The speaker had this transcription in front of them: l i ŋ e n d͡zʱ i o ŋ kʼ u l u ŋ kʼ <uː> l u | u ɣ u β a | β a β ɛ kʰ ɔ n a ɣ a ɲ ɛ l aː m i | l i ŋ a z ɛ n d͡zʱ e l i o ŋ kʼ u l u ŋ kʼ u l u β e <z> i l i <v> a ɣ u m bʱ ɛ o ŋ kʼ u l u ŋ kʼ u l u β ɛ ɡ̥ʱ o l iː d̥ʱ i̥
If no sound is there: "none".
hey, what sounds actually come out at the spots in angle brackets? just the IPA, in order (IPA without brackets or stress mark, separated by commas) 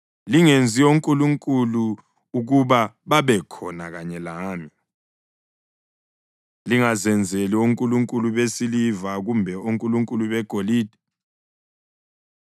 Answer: u, s, v